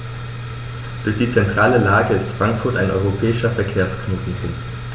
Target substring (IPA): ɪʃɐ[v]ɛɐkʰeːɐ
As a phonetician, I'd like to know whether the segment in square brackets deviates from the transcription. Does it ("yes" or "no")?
yes